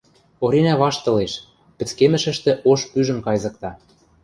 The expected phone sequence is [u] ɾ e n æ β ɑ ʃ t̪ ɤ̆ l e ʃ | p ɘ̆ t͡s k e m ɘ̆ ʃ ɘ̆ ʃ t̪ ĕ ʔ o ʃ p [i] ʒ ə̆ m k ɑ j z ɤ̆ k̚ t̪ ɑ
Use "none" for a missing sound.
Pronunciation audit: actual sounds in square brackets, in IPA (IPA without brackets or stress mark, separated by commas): o, y